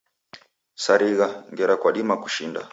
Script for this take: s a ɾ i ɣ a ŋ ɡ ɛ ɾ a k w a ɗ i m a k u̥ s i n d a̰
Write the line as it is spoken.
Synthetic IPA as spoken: s a ɾ i ɣ a ŋ ɡ ɛ ɾ a k w a ɗ i m a k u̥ ʃ i n d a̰